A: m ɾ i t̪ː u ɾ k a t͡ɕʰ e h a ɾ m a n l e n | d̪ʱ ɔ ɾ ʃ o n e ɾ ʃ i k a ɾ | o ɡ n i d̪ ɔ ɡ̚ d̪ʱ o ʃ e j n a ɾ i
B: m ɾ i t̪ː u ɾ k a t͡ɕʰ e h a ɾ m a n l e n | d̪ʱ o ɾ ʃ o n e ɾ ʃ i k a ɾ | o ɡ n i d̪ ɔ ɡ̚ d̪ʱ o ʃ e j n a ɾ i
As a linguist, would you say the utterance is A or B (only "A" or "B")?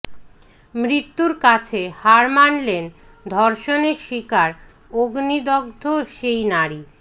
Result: A